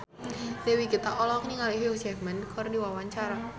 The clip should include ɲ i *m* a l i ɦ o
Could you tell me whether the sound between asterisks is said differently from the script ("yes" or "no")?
yes